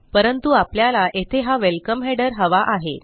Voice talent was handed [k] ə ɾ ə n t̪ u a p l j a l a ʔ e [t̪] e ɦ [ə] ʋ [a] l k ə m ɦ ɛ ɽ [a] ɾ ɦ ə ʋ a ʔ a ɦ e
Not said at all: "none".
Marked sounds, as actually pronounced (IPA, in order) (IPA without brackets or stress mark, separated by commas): p, t̪ʰ, a, e, ə